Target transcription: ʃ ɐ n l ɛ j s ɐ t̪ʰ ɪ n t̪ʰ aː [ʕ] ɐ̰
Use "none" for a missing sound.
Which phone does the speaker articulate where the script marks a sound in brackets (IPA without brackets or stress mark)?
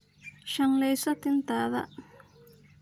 ð